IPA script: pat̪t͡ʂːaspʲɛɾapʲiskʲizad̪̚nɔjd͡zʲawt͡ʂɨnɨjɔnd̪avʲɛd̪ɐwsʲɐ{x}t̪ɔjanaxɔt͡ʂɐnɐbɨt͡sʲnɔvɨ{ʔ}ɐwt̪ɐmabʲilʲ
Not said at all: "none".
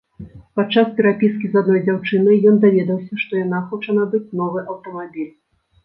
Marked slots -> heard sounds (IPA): ʂ, ʔ

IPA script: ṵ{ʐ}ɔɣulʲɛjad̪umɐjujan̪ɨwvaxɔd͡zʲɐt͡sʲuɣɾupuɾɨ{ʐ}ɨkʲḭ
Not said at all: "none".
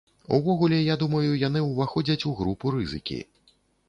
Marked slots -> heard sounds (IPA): v, z

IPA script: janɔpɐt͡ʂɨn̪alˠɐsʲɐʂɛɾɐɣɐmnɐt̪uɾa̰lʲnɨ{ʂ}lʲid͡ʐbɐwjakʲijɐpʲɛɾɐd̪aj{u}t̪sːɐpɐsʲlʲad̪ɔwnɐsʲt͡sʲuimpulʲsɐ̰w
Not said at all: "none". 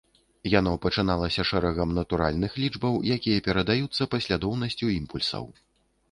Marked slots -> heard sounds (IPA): x, u

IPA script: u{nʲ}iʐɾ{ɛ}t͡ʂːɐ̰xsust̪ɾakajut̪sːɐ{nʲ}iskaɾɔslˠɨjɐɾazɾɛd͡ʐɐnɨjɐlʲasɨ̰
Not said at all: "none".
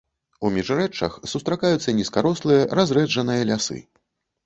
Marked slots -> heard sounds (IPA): mʲ, ɛ, nʲ

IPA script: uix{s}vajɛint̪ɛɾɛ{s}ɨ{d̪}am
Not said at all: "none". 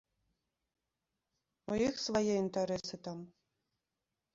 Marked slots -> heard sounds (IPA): s, s, t̪

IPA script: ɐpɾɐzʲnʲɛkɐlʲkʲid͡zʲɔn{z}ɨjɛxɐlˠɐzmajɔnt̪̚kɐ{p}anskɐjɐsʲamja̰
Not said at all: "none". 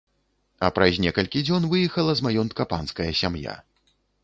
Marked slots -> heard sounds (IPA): v, p

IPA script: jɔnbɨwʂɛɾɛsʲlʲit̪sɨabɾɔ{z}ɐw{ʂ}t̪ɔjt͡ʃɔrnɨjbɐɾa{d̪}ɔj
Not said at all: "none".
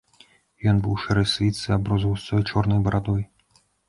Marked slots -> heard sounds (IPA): z, s, d̪

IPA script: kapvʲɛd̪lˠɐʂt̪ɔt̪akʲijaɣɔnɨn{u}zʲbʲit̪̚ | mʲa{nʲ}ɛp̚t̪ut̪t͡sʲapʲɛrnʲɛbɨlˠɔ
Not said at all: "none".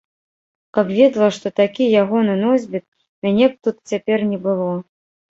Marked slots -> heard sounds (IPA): ɔ, nʲ

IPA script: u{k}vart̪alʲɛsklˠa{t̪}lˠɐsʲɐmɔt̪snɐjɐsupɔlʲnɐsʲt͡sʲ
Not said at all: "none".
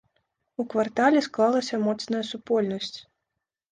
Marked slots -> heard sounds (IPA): k, none

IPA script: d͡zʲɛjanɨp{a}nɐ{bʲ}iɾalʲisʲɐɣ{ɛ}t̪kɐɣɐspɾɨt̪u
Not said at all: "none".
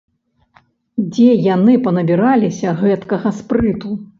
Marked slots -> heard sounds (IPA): ɐ, bʲ, ɛ

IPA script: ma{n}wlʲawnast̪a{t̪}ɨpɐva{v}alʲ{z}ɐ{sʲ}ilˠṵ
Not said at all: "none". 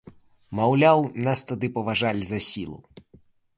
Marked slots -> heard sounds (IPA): none, d̪, ʐ, z, sʲ

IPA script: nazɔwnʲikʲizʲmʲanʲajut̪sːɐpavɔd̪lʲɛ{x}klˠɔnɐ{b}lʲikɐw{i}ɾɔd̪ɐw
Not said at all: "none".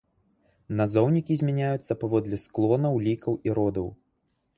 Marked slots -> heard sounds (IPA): s, w, i

